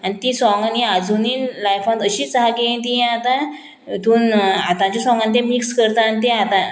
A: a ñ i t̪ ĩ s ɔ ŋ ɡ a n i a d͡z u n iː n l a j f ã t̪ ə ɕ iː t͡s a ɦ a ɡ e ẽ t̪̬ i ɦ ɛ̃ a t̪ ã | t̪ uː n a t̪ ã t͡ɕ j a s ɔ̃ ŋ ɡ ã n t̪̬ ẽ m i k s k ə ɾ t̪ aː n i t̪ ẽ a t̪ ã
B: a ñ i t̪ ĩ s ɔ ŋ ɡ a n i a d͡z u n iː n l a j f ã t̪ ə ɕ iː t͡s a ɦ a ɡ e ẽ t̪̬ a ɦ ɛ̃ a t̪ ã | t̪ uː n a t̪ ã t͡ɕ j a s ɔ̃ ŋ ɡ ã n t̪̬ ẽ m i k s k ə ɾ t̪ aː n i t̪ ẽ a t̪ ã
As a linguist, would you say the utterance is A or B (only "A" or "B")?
A